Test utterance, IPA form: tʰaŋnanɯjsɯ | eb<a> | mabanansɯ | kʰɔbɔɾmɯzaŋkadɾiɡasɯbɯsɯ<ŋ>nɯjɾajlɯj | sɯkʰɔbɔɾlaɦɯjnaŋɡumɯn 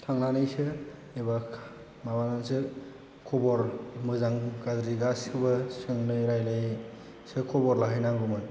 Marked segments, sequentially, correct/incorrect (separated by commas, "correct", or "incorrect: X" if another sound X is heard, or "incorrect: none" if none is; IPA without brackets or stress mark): correct, correct